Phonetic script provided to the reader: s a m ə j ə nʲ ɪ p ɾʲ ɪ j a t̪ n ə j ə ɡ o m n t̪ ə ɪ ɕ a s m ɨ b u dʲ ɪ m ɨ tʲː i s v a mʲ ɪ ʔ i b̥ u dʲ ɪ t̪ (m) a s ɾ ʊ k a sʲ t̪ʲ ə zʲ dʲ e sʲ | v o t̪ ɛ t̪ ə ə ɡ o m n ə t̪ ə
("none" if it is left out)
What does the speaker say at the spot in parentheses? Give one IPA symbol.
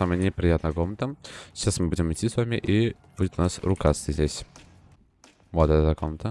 n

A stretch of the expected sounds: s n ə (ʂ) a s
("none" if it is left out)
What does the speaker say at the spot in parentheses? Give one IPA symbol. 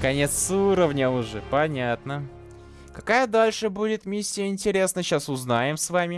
ɕ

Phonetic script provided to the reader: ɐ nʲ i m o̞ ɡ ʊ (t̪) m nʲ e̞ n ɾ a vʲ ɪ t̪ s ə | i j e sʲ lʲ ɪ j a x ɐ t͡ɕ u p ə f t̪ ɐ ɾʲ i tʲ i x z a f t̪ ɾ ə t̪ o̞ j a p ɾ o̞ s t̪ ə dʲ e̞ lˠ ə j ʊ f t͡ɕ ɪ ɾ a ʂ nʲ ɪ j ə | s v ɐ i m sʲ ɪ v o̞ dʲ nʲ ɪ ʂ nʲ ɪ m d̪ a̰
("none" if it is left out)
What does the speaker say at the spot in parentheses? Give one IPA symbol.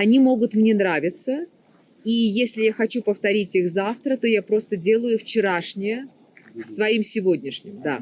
t̪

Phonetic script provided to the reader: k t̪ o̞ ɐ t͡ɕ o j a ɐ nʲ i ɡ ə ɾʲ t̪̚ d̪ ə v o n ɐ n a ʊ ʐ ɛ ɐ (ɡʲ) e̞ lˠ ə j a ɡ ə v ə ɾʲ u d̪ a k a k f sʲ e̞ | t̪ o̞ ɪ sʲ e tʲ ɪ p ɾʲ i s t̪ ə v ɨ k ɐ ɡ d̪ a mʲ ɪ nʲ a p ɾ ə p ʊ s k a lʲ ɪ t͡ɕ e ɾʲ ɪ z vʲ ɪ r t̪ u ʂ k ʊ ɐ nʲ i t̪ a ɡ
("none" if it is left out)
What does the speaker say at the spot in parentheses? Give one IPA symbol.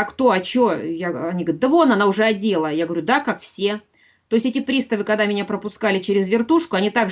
dʲ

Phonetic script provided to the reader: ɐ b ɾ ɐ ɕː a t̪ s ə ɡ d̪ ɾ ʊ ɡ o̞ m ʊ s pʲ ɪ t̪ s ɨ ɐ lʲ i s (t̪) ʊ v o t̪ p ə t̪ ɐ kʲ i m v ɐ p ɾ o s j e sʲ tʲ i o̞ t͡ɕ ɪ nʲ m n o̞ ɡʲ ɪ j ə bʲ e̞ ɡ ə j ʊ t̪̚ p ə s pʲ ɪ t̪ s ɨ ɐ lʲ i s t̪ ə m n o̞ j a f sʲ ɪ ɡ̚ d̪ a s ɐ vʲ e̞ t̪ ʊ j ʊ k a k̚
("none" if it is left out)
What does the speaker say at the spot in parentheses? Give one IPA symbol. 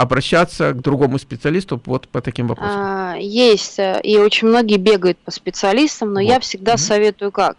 t̪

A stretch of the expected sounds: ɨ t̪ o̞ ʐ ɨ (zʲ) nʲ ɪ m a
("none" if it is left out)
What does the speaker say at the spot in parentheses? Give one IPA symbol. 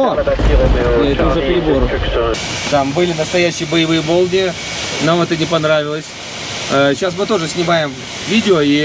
sʲ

